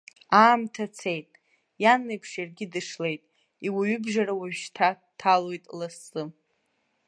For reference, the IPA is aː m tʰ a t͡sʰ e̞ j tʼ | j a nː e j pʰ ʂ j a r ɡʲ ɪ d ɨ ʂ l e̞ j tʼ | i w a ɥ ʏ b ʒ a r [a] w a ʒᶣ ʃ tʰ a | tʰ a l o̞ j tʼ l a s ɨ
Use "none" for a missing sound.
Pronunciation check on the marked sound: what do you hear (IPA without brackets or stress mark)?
a